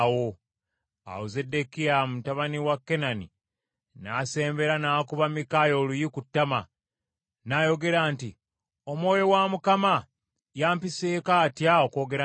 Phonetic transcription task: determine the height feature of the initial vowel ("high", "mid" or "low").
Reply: mid